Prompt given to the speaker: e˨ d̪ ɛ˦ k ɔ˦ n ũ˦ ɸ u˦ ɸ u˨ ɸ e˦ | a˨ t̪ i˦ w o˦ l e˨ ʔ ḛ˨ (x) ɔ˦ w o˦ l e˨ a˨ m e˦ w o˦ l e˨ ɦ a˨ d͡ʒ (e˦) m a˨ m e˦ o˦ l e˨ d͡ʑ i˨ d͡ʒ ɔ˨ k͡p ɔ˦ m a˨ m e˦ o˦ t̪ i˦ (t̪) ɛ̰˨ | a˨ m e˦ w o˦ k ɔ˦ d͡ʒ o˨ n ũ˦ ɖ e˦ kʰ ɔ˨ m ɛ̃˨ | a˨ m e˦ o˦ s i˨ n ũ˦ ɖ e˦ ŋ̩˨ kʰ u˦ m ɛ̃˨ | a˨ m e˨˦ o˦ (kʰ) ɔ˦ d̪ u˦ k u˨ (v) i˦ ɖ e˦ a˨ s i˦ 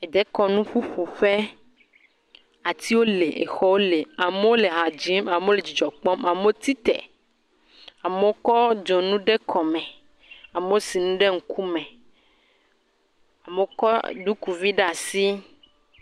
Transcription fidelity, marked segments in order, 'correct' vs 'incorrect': correct, incorrect: i˦, correct, incorrect: k, correct

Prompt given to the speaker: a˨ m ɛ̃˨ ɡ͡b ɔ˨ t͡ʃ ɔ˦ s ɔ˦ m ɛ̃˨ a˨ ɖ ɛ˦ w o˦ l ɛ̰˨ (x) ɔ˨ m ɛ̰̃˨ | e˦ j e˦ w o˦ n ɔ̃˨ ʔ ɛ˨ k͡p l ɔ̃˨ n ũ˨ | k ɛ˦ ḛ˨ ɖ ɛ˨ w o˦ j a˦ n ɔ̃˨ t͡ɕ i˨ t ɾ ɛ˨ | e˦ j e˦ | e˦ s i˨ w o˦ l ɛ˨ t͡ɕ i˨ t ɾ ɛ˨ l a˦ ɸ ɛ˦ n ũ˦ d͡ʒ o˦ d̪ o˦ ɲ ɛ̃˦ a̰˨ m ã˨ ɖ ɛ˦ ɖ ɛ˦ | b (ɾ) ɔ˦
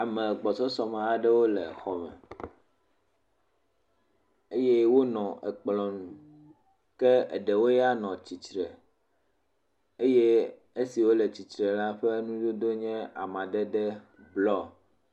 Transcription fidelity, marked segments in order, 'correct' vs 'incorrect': correct, incorrect: l

